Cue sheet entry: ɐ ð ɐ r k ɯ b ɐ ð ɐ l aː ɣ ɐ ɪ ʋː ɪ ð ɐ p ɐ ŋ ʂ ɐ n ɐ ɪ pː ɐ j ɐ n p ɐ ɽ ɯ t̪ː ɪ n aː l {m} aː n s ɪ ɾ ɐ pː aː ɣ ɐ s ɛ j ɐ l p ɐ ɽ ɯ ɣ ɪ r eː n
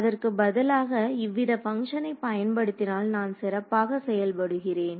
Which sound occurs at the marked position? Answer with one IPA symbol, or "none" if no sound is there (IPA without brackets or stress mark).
n